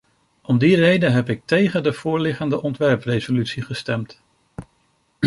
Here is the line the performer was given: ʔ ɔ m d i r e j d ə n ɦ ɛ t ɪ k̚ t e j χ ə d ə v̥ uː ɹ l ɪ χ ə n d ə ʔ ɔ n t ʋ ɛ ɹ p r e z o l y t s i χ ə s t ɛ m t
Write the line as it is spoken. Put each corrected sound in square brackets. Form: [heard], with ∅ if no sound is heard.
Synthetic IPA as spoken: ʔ ɔ m d i r e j d ə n ɦ ɛ [p] ɪ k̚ t e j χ ə d ə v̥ [ʊː] ɹ l ɪ χ ə n d ə ʔ ɔ n t ʋ ɛ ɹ p r e z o l y t s i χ ə s t ɛ m t